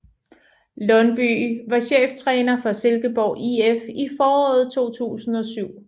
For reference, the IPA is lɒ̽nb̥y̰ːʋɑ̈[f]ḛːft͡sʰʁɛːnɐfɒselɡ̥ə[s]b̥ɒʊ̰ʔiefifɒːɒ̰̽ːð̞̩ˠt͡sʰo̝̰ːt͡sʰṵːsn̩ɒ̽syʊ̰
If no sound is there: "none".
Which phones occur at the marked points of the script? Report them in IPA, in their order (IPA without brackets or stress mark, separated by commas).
ɕ, none